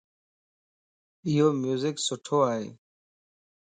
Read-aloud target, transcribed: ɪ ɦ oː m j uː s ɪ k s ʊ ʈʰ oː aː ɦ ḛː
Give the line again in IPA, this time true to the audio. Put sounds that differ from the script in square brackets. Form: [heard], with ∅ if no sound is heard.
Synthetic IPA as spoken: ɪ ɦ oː m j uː [z] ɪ k s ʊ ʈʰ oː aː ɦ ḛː